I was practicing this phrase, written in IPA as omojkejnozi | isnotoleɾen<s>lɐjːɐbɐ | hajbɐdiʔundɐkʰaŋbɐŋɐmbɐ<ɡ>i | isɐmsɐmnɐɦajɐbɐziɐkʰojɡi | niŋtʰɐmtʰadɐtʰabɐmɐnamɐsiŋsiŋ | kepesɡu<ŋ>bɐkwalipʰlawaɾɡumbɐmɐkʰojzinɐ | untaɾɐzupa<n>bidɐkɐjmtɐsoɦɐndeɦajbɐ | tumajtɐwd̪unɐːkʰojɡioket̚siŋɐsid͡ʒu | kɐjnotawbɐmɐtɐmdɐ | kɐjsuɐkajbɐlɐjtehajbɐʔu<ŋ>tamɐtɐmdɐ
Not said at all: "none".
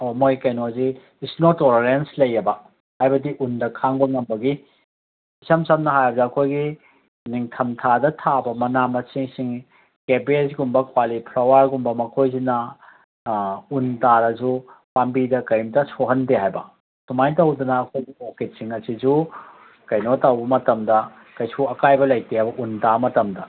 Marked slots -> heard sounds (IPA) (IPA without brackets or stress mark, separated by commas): s, ɡ, m, m, n